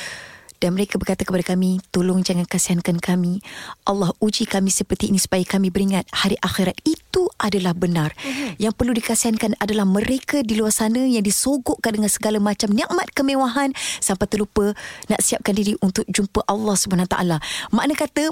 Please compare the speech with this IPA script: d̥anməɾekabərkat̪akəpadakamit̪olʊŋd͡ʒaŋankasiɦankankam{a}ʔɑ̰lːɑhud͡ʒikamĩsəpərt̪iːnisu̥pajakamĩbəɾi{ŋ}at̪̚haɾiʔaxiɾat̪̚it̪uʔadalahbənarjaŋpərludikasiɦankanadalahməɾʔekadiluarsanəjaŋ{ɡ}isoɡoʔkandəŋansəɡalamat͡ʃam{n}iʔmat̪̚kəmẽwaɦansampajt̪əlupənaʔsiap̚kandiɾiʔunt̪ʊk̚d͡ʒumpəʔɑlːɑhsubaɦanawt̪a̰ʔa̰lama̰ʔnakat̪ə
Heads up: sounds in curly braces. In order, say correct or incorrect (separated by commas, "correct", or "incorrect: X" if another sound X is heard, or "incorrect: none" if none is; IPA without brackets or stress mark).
incorrect: i, correct, incorrect: d, correct